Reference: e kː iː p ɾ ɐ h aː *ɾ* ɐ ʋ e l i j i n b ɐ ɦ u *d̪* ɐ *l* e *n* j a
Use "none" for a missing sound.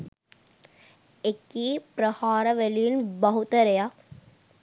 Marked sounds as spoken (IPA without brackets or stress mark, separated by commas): ɾ, t̪, ɾ, none